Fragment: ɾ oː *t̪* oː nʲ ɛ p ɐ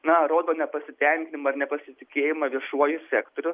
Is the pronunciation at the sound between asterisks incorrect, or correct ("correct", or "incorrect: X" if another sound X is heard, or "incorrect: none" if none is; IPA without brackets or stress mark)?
incorrect: d̪